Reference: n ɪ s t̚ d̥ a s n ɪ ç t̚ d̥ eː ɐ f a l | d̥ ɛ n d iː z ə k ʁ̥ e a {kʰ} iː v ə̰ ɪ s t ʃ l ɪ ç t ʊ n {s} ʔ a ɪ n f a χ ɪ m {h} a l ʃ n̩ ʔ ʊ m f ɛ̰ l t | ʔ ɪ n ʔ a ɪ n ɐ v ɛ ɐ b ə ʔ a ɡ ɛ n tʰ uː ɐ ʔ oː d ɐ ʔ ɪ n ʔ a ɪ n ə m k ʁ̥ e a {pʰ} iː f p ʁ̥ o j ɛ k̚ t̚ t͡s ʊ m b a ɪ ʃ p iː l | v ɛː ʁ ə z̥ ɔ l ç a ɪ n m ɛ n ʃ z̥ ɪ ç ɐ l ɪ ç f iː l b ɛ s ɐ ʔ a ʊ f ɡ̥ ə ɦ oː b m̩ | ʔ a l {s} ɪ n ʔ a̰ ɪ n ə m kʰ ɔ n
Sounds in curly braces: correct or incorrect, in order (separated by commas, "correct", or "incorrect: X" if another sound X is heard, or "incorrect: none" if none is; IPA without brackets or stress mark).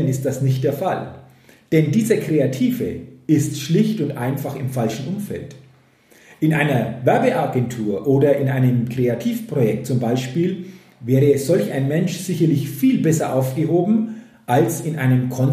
incorrect: tʰ, incorrect: t, incorrect: f, incorrect: tʰ, correct